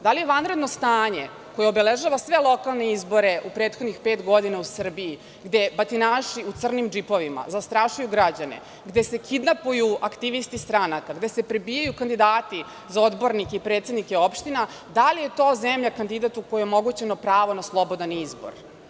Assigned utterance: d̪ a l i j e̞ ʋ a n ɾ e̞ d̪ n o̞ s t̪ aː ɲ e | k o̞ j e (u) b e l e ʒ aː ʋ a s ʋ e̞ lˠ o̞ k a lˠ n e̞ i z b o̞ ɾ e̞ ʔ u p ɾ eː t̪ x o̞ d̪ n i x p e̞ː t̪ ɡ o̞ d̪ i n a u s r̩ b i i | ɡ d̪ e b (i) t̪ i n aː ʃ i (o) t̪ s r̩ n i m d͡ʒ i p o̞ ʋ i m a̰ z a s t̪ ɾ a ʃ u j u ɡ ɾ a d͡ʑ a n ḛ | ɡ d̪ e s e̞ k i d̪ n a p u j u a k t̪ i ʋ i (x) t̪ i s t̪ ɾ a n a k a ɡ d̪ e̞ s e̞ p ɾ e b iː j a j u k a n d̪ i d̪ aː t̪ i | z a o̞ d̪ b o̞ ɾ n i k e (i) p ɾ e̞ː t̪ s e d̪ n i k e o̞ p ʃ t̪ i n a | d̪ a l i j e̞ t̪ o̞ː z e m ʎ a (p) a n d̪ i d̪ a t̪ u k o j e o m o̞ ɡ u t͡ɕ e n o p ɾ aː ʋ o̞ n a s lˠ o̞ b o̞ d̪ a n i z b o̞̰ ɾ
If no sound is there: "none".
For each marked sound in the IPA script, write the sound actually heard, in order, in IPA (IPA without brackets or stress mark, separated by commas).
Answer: o, a, u, s, i, k